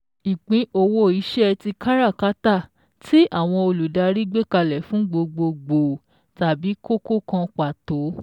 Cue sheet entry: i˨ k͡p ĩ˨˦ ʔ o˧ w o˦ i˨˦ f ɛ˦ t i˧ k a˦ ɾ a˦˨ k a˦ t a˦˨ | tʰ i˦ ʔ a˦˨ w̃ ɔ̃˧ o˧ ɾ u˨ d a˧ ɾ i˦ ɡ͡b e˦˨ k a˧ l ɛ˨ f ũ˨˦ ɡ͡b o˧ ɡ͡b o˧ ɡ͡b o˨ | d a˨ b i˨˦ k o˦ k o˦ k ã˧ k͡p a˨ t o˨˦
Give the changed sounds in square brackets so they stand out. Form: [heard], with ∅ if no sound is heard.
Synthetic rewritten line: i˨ k͡p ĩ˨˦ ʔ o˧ w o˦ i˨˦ [ʃ] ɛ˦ t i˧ k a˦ ɾ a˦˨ k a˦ t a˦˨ | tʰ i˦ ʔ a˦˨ w̃ ɔ̃˧ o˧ [l] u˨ d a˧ ɾ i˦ ɡ͡b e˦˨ k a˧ l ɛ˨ f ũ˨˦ ɡ͡b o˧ ɡ͡b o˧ ɡ͡b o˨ | [t] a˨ b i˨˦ k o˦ k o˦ k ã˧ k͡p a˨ t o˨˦